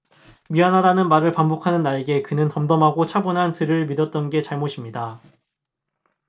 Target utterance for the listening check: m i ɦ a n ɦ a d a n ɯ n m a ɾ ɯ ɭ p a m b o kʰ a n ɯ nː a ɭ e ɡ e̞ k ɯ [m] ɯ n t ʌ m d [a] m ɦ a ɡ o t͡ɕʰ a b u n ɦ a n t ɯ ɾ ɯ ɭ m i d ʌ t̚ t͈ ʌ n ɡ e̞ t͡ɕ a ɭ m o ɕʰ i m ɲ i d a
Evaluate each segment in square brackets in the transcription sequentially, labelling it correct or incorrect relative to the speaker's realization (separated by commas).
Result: incorrect, incorrect